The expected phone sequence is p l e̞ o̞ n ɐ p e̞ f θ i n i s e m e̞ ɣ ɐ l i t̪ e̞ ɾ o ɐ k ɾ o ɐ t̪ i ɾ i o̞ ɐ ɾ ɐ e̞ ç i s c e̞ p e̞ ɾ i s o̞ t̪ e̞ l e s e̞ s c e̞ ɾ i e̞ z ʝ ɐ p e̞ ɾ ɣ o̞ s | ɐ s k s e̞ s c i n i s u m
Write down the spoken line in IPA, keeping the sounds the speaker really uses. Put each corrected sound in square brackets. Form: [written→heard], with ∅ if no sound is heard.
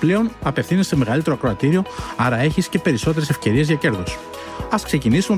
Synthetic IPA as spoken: p l e̞ o̞ n ɐ p e̞ f θ i n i s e m e̞ ɣ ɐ l i t̪ e̞ ɾ o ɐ k ɾ o ɐ t̪ i ɾ i o̞ ɐ ɾ ɐ e̞ ç i s c e̞ p e̞ ɾ i s o̞ t̪ e̞ [l→ɾ] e s e̞ [s→f] c e̞ ɾ i e̞ z ʝ ɐ [p→c] e̞ ɾ [ɣ→ð] o̞ s | ɐ s k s e̞ [s→∅] c i n i s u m